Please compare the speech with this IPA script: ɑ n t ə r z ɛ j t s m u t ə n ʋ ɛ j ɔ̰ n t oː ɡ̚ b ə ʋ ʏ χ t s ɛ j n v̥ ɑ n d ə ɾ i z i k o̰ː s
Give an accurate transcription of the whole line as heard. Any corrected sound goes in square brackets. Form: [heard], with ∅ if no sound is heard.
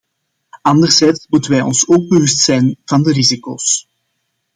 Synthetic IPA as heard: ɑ n [d] ə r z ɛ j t s m u t ə n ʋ ɛ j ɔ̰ n [s] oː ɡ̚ b ə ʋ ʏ [s] t s ɛ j n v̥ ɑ n d ə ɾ i z i k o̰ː s